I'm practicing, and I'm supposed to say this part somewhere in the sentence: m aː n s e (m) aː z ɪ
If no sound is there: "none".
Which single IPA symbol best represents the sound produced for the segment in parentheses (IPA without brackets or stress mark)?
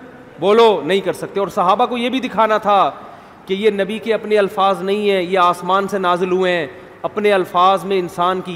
n